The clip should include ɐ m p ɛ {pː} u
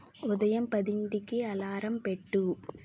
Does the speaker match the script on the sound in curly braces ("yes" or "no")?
no